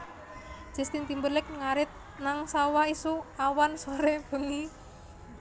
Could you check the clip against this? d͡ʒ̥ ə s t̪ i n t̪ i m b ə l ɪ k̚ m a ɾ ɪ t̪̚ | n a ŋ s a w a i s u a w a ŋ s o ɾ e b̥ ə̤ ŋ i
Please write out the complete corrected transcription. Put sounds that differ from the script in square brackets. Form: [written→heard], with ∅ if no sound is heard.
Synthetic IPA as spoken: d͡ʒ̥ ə s t̪ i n t̪ i m b ə l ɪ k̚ [m→ŋ] a ɾ ɪ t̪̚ | n a ŋ s a w a i s u a w a [ŋ→n] s o ɾ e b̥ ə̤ ŋ i

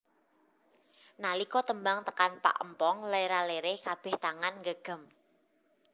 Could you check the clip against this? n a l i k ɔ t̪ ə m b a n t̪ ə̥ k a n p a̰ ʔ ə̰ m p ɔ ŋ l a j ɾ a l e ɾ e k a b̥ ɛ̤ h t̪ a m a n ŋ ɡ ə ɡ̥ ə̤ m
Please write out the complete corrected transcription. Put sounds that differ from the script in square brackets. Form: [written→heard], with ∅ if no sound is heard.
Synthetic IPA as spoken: n a l i k ɔ t̪ ə m b a [n→ŋ] t̪ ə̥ k a n p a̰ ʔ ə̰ m p ɔ ŋ l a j ɾ a l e ɾ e k a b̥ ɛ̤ h t̪ a [m→ŋ] a n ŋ ɡ ə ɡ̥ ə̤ m

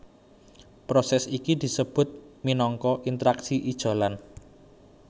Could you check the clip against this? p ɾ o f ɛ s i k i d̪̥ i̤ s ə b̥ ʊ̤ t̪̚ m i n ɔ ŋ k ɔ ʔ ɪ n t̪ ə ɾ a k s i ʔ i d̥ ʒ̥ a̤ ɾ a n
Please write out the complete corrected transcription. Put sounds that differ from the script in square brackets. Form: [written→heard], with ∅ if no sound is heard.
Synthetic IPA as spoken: p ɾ o [f→s] ɛ s i k i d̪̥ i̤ s ə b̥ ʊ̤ t̪̚ m i n ɔ ŋ k ɔ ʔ [ɪ→i] n t̪ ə ɾ a k s i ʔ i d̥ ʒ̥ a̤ [ɾ→l] a n

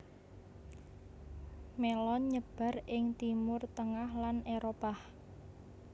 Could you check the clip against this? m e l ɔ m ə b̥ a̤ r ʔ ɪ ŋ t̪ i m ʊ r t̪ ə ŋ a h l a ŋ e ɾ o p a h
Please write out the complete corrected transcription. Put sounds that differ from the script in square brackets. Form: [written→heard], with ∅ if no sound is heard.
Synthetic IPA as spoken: m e l ɔ [m→ɲ] ə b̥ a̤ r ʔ ɪ ŋ t̪ i m ʊ r t̪ ə ŋ a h l a [ŋ→n] e ɾ o p a h

